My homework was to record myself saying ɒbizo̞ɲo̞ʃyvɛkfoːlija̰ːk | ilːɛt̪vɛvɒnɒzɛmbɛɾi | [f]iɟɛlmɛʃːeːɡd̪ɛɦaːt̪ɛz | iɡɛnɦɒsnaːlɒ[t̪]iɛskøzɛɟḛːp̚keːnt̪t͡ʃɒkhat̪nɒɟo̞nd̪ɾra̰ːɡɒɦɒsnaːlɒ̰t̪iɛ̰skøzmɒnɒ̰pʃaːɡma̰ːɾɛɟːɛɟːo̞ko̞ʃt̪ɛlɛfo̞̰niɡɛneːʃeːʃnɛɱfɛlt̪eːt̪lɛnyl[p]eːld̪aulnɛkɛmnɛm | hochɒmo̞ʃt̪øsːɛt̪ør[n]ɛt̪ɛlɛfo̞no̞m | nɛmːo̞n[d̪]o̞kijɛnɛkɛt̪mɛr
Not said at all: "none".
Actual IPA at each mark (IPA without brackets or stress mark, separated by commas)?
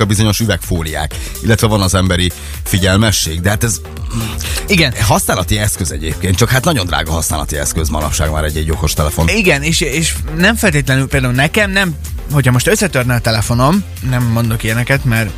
f, t̪, p, n, d̪